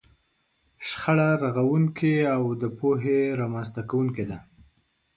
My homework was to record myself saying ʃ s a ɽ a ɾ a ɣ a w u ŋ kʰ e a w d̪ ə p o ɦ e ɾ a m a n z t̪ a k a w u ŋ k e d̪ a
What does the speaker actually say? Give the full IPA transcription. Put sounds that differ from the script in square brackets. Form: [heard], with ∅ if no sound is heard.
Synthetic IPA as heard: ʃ [x] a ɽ a ɾ a ɣ a w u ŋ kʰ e a w d̪ ə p o ɦ e ɾ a m a n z t̪ a k a w u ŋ k e d̪ a